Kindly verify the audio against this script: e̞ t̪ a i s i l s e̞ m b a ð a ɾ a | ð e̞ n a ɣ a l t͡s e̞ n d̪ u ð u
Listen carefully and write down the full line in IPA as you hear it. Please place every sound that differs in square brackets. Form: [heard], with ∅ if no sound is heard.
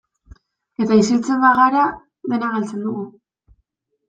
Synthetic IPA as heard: e̞ t̪ a i s i l [t͡s] e̞ m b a [ɣ] a ɾ a | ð e̞ n a ɣ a l t͡s e̞ n d̪ u [ɣ] u